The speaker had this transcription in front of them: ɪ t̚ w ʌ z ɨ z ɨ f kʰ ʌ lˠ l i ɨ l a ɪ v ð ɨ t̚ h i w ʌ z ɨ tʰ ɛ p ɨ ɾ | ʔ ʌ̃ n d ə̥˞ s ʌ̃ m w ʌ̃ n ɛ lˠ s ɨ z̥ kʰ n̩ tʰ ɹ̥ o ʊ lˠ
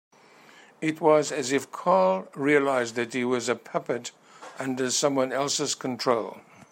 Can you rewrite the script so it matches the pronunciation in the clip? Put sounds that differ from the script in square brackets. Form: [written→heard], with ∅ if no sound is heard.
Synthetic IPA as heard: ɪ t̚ w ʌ z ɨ z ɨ f kʰ [ʌ→ɑ] lˠ [l→ɹ] i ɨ l a ɪ [v→z] ð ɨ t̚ h i w ʌ z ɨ [tʰ→pʰ] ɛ p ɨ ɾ | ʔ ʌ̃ n d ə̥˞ s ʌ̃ m w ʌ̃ n ɛ lˠ s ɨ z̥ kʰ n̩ tʰ ɹ̥ o ʊ lˠ